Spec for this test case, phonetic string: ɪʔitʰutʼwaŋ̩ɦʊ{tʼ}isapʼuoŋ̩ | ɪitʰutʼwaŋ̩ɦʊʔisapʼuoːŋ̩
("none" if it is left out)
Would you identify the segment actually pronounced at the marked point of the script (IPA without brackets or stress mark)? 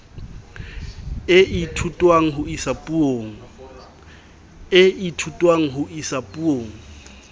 none